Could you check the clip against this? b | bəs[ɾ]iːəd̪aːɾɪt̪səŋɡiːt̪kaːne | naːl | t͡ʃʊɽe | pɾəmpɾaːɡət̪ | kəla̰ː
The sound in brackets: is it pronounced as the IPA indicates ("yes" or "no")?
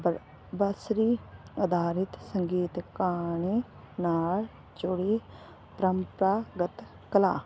yes